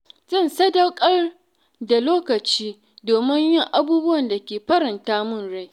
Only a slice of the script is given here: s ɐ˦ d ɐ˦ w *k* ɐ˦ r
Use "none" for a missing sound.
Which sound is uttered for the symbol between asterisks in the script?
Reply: kʼ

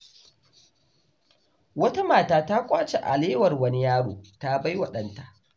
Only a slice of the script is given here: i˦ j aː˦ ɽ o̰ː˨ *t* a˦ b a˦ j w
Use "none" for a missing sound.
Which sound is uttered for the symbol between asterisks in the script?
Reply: t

